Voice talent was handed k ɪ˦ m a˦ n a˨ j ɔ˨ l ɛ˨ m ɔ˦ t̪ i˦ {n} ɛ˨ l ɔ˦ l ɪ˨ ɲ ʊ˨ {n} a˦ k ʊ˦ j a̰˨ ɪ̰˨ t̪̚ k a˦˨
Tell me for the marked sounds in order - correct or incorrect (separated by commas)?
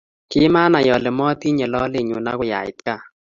incorrect, correct